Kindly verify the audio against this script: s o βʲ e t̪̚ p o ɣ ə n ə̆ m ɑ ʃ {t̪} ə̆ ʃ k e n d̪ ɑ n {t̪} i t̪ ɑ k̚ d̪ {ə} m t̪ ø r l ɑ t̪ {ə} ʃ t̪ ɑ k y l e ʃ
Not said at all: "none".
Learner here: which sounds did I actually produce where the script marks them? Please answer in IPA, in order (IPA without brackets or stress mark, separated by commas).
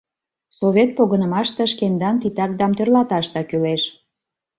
t̪, t̪, ɑ, ɑ